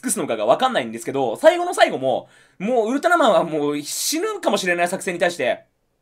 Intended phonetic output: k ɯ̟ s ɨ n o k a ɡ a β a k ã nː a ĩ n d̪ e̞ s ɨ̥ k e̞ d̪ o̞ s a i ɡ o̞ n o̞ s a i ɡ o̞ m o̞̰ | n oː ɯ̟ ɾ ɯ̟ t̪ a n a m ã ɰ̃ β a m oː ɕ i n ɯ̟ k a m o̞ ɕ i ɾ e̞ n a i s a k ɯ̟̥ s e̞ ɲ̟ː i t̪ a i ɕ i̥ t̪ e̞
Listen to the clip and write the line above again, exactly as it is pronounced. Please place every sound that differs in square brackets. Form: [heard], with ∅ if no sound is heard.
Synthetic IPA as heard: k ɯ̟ s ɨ n o k a ɡ a β a k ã nː a ĩ n d̪ e̞ s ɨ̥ k e̞ d̪ o̞ s a i ɡ o̞ n o̞ s a i ɡ o̞ m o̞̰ | [m] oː ɯ̟ ɾ ɯ̟ t̪ a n a m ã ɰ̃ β a m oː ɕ i n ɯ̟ k a m o̞ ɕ i ɾ e̞ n a i s a k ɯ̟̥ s e̞ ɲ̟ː i t̪ a i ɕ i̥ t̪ e̞

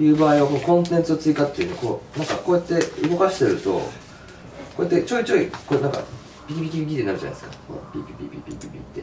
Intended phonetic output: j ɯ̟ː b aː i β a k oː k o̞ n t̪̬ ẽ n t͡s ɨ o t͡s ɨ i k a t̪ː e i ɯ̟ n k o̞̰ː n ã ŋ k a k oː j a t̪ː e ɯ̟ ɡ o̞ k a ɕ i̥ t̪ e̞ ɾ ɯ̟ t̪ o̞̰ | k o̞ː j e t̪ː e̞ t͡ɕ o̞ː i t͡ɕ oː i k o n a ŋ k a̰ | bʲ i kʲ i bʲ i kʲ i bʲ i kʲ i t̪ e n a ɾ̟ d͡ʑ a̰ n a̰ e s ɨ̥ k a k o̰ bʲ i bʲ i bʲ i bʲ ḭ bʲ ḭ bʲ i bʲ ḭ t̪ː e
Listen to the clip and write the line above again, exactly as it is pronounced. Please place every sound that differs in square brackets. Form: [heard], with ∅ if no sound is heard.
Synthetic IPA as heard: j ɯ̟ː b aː i β a k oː k [õ̞] n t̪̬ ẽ n t͡s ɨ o t͡s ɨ i k a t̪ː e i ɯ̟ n k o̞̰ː n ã ŋ k a k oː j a t̪ː e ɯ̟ ɡ o̞ k a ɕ i̥ t̪ e̞ ɾ ɯ̟ t̪ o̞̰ | k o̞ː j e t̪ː e̞ t͡ɕ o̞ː i t͡ɕ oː i k o n a ŋ k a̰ | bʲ i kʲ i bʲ i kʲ i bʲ i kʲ i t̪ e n a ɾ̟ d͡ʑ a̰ n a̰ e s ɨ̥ k a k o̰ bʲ i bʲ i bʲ i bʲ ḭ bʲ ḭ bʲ i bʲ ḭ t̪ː e

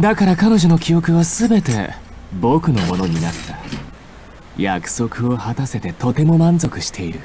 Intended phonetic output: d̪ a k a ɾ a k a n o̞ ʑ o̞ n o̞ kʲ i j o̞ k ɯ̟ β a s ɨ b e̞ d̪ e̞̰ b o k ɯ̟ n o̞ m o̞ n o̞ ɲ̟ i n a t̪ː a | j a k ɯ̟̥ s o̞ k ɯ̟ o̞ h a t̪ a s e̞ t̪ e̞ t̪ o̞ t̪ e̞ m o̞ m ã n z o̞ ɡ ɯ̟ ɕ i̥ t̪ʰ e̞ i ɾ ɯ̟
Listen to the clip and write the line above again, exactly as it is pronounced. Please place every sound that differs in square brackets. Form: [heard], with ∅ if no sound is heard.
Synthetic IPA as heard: d̪ a k a ɾ a k a n o̞ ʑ o̞ n o̞ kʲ i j o̞ k ɯ̟ β a s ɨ b e̞ [t̪] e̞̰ b o k ɯ̟ n o̞ m o̞ n o̞ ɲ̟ i n a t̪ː a | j a k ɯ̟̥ s o̞ k ɯ̟ o̞ h a t̪ a s e̞ t̪ e̞ t̪ o̞ t̪ e̞ m o̞ m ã n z o̞ [k] ɯ̟ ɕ i̥ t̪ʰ e̞ i ɾ ɯ̟

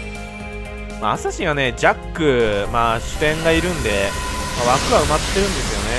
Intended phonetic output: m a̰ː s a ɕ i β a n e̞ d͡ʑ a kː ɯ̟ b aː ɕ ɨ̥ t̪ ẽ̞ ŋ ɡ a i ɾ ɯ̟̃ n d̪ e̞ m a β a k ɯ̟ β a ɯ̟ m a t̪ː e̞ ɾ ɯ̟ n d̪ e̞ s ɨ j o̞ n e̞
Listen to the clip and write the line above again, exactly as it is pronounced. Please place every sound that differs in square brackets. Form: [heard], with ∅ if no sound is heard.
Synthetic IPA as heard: m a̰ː s a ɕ i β a n e̞ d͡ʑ a kː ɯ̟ [m] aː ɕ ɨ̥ t̪ ẽ̞ ŋ ɡ a i ɾ ɯ̟̃ n d̪ e̞ m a β a k ɯ̟ β a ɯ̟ m a t̪ː e̞ ɾ [ɯ̟̃] n d̪ e̞ s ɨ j o̞ n e̞

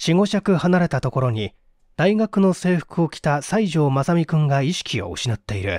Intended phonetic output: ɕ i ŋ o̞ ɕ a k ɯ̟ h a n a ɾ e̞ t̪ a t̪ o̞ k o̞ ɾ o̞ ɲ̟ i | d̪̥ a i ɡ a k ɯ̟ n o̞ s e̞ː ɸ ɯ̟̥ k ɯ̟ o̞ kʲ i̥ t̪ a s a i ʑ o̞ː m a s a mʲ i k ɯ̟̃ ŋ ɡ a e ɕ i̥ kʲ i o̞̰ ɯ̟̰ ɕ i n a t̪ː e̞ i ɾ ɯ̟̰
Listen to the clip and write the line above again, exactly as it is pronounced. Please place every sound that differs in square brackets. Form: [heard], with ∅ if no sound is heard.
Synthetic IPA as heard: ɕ i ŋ o̞ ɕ a k ɯ̟ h a n a ɾ e̞ t̪ a t̪ o̞ k o̞ ɾ o̞ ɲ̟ i | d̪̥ a i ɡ a k ɯ̟ n o̞ s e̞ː ɸ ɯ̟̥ k ɯ̟ o̞ kʲ i̥ t̪ a s a i ʑ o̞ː m a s a mʲ i k ɯ̟̃ ŋ ɡ a [i] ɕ i̥ kʲ i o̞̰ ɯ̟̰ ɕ i n a t̪ː e̞ i ɾ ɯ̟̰

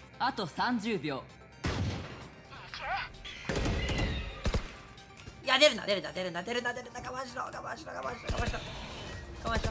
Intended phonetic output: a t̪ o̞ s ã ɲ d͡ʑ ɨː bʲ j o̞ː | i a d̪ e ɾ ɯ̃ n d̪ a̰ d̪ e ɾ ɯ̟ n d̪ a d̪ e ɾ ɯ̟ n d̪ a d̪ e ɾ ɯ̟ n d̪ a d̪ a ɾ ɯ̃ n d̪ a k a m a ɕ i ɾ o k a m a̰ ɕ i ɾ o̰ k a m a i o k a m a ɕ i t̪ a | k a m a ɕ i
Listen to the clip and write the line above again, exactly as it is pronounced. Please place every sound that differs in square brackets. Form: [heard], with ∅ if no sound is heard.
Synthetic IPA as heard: a t̪ o̞ s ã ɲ d͡ʑ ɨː bʲ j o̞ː | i a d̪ e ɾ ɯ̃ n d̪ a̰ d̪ e ɾ ɯ̟ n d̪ a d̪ e ɾ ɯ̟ n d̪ a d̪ e ɾ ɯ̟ n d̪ a d̪ [e] ɾ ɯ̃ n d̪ a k a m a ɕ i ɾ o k a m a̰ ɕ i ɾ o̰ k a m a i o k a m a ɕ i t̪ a | k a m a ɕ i

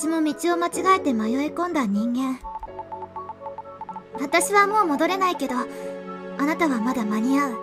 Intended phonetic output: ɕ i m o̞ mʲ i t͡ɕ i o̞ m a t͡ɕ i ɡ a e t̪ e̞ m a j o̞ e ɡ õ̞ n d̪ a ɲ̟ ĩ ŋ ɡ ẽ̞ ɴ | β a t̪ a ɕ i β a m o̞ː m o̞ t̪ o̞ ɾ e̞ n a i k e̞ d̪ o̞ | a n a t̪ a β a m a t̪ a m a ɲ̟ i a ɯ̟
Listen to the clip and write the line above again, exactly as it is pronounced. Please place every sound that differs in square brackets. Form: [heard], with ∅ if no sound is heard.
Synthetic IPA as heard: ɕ i m o̞ mʲ i t͡ɕ i o̞ m a t͡ɕ i ɡ a e t̪ e̞ m a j o̞ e [k] õ̞ n d̪ a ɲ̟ ĩ ŋ ɡ ẽ̞ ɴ | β a t̪ a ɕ i β a m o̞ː m o̞ [d̪] o̞ ɾ e̞ n a i k e̞ d̪ o̞ | a n a t̪ a β a m a [d̪] a m a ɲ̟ i a ɯ̟

